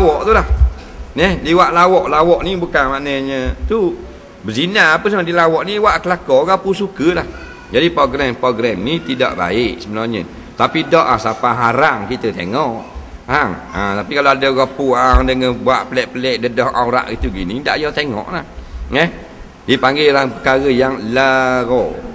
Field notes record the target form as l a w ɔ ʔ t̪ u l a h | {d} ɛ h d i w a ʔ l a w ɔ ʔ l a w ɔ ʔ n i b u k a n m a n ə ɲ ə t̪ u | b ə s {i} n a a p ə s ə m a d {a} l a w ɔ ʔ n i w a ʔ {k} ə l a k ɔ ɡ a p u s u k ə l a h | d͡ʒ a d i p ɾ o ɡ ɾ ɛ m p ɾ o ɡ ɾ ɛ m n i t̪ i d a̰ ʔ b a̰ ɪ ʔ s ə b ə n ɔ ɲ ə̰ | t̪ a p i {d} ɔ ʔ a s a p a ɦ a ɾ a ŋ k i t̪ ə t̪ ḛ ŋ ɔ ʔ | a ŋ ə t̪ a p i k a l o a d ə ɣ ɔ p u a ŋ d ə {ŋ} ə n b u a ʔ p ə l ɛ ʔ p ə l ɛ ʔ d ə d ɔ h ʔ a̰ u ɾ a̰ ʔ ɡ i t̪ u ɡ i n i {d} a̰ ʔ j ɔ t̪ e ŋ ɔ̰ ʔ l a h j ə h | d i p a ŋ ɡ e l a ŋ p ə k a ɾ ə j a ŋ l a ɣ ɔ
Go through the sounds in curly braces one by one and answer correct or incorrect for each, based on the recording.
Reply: incorrect: n, correct, incorrect: i, correct, correct, correct, correct

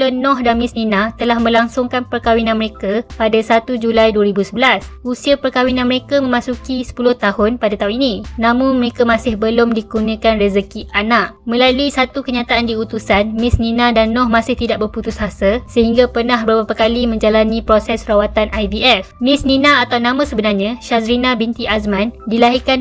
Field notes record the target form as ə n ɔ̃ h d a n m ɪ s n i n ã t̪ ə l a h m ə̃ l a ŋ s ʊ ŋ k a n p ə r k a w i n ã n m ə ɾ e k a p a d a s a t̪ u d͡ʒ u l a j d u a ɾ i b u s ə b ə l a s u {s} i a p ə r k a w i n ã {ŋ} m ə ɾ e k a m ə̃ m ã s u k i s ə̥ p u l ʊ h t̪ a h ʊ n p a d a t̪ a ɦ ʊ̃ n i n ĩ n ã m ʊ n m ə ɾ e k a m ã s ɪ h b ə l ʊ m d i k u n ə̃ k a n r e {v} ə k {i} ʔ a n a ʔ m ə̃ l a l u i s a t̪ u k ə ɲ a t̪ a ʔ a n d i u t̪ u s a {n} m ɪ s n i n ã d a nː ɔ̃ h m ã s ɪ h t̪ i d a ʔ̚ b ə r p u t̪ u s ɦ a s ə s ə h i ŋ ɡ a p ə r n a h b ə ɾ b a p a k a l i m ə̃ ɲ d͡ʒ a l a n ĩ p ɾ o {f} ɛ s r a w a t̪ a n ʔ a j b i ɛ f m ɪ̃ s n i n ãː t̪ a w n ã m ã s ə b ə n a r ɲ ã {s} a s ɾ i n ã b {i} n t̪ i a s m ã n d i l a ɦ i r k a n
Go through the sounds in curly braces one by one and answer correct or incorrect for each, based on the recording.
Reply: correct, incorrect: n, incorrect: z, correct, correct, incorrect: s, incorrect: ʃ, correct

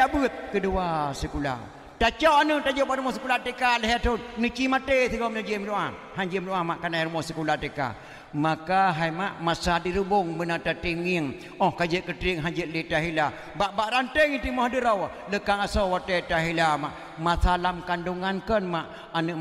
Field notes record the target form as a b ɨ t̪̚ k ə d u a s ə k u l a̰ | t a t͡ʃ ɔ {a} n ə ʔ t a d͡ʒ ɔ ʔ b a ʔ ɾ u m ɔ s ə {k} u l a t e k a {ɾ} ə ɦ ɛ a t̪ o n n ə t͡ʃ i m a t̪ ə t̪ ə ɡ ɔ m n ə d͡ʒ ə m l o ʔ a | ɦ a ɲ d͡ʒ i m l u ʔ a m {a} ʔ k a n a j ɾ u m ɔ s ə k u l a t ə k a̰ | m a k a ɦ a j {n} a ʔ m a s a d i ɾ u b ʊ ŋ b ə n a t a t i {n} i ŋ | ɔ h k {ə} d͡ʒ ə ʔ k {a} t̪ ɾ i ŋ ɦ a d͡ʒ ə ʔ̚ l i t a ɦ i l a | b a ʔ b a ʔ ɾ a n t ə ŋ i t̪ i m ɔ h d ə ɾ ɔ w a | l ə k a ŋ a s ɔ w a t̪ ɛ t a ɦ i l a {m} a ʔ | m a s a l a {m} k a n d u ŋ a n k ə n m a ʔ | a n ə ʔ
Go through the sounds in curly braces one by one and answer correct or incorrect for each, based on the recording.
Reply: correct, correct, incorrect: l, correct, incorrect: m, incorrect: ŋ, incorrect: a, incorrect: ə, correct, correct

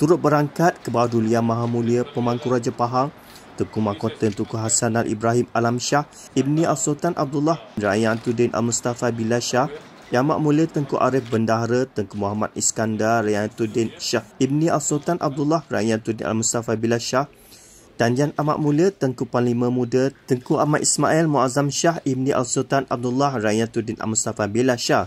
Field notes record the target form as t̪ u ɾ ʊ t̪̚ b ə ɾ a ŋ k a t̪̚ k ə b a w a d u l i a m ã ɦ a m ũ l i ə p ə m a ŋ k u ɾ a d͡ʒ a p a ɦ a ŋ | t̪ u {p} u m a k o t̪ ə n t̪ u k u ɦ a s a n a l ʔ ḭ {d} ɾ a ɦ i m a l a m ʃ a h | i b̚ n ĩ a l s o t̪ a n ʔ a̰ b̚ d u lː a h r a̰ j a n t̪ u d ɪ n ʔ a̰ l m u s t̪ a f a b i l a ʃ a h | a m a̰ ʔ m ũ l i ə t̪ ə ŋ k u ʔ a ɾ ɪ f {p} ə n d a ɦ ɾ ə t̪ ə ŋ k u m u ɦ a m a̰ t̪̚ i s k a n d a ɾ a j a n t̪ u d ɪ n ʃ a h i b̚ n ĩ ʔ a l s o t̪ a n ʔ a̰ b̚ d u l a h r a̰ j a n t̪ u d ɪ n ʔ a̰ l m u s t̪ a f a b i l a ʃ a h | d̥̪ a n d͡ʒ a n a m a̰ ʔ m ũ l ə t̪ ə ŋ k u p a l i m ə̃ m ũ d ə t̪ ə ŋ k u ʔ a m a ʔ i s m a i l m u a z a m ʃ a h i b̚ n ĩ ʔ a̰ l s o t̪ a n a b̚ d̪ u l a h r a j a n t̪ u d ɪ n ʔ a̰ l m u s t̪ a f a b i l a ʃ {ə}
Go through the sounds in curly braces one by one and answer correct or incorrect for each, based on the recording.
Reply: incorrect: k, incorrect: b, incorrect: b, incorrect: a

